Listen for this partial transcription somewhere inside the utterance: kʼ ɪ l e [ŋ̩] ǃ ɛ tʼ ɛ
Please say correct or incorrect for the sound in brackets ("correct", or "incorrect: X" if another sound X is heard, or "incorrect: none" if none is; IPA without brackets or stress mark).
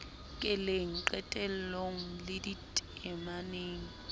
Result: correct